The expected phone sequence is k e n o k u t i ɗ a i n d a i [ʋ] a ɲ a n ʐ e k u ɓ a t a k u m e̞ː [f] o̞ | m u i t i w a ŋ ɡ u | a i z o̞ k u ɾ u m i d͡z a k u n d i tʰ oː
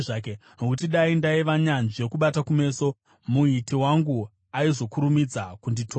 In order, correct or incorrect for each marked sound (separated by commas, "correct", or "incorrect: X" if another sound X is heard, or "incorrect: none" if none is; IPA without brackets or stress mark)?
correct, incorrect: s